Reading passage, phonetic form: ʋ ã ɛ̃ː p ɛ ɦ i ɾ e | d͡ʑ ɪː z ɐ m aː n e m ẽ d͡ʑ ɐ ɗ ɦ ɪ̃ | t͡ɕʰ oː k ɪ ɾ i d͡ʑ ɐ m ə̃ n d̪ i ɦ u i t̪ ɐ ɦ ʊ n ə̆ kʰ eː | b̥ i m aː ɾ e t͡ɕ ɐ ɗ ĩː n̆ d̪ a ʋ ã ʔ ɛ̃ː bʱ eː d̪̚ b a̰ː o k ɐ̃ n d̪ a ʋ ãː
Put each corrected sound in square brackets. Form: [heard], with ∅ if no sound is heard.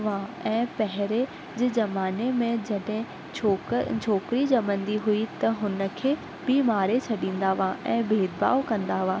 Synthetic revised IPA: ʋ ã ɛ̃ː p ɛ ɦ [ɪ] ɾ e | d͡ʑ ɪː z ɐ m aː n e m ẽ d͡ʑ ɐ ɗ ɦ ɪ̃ | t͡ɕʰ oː k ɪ ɾ i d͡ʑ ɐ m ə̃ n d̪ i ɦ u i t̪ ɐ ɦ ʊ n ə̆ kʰ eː | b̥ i m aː ɾ e [t͡ɕʰ] ɐ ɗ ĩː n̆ d̪ a ʋ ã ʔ ɛ̃ː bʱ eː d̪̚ b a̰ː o k ɐ̃ n d̪ a ʋ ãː